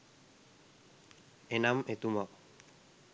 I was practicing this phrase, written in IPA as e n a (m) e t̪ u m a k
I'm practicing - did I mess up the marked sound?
no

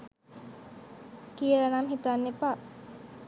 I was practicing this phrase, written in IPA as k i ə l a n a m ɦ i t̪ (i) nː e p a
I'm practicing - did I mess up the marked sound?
yes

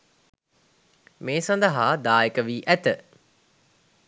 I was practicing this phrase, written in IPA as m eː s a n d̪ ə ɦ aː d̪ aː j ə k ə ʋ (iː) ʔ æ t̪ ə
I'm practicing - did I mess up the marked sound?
no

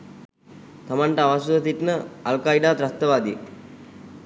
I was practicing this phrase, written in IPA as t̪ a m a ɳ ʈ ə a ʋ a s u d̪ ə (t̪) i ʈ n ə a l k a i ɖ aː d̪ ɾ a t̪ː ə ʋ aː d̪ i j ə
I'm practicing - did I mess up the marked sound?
no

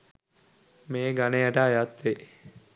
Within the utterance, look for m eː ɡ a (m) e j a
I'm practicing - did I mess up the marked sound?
yes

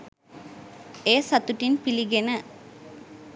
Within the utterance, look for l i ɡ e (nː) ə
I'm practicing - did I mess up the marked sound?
yes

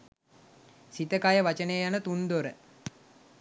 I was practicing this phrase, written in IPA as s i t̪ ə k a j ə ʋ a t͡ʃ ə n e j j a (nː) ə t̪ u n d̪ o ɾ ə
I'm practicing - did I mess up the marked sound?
yes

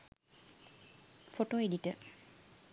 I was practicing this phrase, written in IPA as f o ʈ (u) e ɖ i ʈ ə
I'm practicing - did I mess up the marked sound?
yes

